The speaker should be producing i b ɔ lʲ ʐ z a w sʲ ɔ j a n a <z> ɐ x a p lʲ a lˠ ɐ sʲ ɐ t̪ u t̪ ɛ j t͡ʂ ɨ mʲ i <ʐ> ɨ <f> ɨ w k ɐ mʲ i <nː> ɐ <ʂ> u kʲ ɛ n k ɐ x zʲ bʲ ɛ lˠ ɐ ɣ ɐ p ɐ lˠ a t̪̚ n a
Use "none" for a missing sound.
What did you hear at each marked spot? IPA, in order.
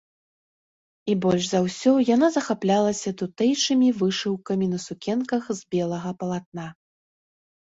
z, v, ʂ, n, s

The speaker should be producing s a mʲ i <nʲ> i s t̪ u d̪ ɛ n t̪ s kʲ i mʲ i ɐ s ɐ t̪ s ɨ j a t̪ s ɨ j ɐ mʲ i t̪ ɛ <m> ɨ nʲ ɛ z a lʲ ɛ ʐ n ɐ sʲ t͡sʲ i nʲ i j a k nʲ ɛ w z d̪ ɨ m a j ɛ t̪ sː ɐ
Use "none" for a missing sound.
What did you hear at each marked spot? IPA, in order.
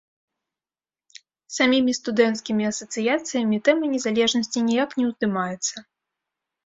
mʲ, m

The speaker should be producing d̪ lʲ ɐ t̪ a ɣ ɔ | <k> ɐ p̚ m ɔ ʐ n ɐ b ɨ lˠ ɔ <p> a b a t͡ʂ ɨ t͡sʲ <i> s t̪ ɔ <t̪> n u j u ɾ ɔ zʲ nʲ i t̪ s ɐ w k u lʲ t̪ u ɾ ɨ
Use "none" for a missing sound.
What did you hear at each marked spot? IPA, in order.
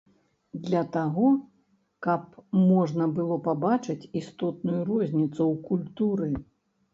k, p, i, t̪

